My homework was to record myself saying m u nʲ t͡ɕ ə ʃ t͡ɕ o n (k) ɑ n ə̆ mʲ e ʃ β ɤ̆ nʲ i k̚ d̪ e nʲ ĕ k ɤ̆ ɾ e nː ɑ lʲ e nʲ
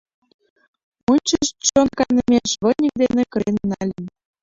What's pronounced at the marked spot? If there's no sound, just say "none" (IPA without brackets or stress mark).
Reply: k